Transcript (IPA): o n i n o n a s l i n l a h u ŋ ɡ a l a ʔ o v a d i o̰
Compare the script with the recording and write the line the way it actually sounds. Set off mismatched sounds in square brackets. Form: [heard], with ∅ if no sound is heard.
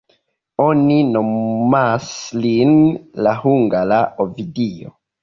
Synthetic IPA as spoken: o n i n o [m] a s l i n l a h u ŋ ɡ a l a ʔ o v [i] d i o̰

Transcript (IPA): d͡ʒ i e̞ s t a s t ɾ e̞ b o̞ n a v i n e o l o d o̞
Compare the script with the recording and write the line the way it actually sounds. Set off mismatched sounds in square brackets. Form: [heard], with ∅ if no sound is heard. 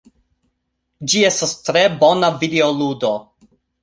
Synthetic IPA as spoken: d͡ʒ i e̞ s t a s t ɾ e̞ b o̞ n a v i [d] e o l [u] d o̞

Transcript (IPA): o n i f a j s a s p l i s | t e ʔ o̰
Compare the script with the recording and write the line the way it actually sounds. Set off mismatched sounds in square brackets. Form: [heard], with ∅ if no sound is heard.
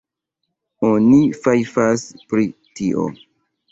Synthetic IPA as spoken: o n i f a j [f] a s p [ɾ] i [∅] | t [i] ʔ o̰

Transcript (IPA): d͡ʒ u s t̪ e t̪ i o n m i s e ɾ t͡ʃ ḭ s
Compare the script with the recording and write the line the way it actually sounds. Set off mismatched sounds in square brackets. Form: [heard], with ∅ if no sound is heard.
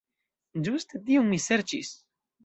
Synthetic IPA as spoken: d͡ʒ u s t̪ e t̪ i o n m i s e ɾ t͡ʃ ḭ s

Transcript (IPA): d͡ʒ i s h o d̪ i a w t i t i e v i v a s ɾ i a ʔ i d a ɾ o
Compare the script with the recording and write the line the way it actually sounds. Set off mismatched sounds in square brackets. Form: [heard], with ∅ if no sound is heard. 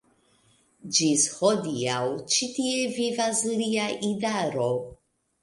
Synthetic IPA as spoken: d͡ʒ i s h o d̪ i a w [t͡ʃ] i t i e v i v a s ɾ i a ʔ i d a ɾ o

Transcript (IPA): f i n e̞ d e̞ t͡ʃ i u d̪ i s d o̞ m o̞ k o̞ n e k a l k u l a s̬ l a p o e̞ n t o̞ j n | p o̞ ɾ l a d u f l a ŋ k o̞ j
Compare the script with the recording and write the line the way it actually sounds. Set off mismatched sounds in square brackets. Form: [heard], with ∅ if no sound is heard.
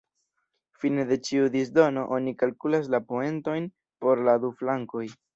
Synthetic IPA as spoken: f i n e̞ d e̞ t͡ʃ i u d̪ i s d o̞ [n] o̞ [ʔ] o̞ n [i] k a l k u l a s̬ l a p o e̞ n t o̞ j n | p o̞ ɾ l a d u f l a ŋ k o̞ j

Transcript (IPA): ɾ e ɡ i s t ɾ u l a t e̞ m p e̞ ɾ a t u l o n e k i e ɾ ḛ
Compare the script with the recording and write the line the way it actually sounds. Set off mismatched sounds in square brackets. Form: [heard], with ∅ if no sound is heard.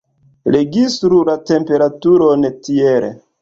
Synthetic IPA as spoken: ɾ e ɡ i s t ɾ u l a t e̞ m p e̞ ɾ a t u [ɾ] o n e [t] i e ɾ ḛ

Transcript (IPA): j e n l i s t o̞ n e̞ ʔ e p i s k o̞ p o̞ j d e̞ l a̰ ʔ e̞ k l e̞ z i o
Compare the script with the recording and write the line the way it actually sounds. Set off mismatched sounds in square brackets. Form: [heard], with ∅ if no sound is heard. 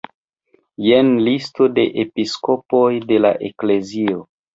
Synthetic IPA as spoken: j e n l i s t o̞ [d] e̞ ʔ e p i s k o̞ p o̞ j d e̞ l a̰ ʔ e̞ k l e̞ z i o

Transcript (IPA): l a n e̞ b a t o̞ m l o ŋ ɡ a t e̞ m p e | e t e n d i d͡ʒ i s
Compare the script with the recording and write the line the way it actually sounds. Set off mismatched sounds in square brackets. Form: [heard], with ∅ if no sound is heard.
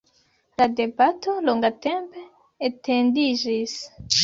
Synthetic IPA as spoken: l a [d] e̞ b a t o̞ [∅] l o ŋ ɡ a t e̞ m p e | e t e n d i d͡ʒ i s

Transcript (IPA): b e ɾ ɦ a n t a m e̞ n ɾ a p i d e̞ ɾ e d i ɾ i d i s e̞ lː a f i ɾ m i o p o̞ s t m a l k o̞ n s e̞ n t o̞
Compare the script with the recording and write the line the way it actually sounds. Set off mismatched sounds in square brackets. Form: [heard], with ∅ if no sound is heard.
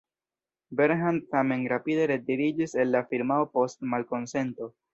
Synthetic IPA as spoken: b e ɾ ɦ a n t a m e̞ n ɾ a p i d e̞ ɾ e d i ɾ i [d͡ʒ] i s e̞ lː a f i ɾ m [a] o p o̞ s t m a l k o̞ n s e̞ n t o̞

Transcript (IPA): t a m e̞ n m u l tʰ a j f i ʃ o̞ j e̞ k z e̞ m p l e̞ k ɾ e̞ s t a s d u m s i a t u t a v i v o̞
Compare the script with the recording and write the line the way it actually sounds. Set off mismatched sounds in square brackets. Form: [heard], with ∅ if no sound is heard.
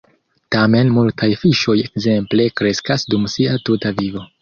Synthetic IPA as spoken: t a m e̞ n m u l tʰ a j f i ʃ o̞ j e̞ k z e̞ m p l e̞ k ɾ e̞ s [k] a s d u m s i a t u t a v i v o̞

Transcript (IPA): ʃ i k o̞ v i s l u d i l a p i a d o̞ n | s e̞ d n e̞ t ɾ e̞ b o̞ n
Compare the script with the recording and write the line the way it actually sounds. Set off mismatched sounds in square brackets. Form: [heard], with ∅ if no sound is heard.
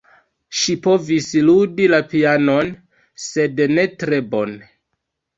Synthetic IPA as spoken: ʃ i [p] o̞ v i s l u d i l a p i a [n] o̞ n | s e̞ d n e̞ t ɾ e̞ b o̞ n

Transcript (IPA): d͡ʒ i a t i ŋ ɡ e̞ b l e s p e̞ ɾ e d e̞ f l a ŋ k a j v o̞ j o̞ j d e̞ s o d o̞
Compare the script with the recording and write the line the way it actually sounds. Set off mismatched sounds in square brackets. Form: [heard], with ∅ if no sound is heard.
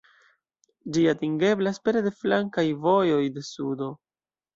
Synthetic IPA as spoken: d͡ʒ i a t i ŋ ɡ e̞ b l [a] s p e̞ ɾ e d e̞ f l a ŋ k a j v o̞ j o̞ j d e̞ s [u] d o̞

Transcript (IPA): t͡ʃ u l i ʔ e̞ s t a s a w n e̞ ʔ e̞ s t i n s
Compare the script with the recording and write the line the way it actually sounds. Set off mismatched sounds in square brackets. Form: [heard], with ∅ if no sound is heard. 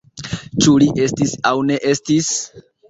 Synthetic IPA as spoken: t͡ʃ u l i ʔ e̞ s t [i] s a w n e̞ ʔ e̞ s t i [∅] s

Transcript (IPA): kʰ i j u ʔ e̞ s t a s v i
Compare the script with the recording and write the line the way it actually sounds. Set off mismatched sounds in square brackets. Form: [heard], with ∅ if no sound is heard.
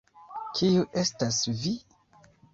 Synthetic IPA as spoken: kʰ i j u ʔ e̞ s t a s v i

